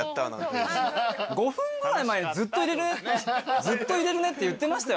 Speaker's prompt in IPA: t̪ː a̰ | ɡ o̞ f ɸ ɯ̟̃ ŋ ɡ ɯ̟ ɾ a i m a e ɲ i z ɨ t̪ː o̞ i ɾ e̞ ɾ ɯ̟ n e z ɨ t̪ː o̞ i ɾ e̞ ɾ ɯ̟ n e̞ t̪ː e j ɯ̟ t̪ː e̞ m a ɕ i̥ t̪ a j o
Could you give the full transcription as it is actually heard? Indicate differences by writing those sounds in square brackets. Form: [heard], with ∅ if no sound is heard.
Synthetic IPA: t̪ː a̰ | ɡ o̞ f ɸ ɯ̟̃ ŋ ɡ ɯ̟ ɾ a i m a e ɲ i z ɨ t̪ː o̞ i ɾ e̞ ɾ ɯ̟ n e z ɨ t̪ː o̞ i ɾ e̞ ɾ ɯ̟ n e̞ t̪ː e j ɯ̟ t̪ː e̞ m a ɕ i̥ t̪ a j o